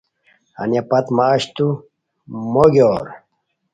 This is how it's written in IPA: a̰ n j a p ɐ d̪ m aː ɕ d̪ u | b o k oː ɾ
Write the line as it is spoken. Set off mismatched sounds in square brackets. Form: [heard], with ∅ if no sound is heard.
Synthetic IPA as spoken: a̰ n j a p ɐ [t̪] m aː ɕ [t̪] u | [m] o [ɡ] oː ɾ